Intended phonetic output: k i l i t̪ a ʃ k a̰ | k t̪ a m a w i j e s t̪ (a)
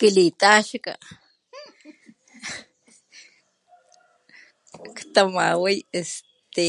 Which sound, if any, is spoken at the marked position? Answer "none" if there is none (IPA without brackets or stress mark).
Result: e